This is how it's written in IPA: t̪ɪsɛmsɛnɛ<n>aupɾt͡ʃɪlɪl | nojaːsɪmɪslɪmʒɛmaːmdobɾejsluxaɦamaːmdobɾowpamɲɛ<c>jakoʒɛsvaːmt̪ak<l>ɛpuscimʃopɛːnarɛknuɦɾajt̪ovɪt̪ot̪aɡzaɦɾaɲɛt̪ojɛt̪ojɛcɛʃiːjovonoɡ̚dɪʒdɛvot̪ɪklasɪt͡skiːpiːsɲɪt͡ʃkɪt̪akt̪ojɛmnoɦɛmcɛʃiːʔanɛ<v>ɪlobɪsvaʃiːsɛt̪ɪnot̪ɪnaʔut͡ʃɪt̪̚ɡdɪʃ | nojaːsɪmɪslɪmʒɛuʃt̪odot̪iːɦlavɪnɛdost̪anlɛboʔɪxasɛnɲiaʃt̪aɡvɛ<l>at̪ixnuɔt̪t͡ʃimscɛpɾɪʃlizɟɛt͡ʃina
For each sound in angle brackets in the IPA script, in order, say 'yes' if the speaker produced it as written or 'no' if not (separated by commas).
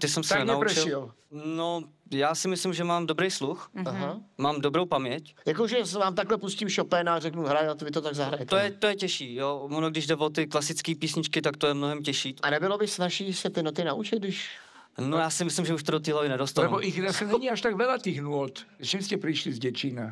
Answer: yes, yes, yes, no, yes